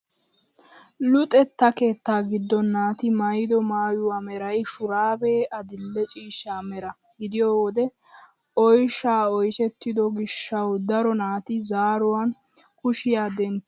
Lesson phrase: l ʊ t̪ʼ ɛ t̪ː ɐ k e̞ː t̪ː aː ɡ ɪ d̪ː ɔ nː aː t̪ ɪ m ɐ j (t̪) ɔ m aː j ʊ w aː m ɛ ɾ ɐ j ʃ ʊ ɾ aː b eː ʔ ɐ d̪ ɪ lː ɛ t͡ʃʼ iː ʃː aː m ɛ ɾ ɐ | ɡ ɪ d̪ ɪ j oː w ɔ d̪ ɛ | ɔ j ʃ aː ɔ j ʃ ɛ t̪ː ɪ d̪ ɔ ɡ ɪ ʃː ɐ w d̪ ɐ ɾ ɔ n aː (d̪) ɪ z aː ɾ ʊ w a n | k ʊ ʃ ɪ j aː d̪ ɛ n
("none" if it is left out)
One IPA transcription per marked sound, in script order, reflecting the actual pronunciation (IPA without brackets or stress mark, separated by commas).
d̪, t̪